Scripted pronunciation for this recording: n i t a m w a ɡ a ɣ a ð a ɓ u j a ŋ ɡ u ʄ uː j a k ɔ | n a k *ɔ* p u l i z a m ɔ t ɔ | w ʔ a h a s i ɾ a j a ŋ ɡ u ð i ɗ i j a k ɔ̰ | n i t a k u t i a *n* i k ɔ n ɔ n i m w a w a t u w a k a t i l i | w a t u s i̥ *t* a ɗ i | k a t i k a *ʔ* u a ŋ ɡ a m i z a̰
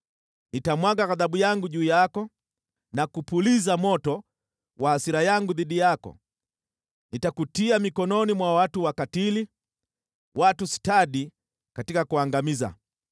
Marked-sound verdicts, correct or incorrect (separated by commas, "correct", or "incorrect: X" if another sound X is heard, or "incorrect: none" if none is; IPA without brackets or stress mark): incorrect: u, incorrect: m, correct, incorrect: k